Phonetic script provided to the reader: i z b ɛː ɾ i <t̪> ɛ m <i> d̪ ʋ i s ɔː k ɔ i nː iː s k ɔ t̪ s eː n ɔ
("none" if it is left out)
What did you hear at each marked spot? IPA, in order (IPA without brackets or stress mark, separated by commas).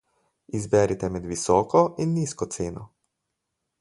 t̪, ɛ